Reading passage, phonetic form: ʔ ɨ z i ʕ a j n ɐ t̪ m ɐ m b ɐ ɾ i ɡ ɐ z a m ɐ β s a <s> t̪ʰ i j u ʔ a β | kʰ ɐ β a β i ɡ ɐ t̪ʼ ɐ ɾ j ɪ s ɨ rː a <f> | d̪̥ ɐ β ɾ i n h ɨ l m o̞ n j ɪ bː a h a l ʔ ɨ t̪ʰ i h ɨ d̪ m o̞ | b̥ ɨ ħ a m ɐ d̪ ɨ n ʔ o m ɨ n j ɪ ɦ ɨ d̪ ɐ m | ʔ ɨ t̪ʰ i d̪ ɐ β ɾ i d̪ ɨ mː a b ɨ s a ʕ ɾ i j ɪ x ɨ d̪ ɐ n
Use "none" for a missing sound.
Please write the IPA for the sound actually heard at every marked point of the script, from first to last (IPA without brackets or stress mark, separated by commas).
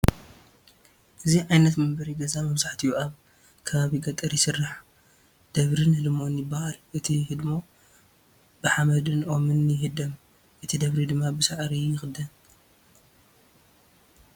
ħ, ħ